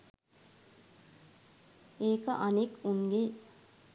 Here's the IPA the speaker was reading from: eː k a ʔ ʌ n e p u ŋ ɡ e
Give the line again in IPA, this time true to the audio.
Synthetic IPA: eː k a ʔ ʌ n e k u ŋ ɡ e